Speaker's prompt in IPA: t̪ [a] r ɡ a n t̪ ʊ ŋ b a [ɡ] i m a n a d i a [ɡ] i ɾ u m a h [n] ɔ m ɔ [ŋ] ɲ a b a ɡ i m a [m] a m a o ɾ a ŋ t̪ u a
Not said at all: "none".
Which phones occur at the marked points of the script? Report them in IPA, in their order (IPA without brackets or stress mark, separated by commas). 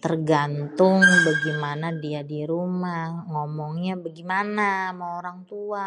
ə, ɡ, d, ŋ, ŋ, n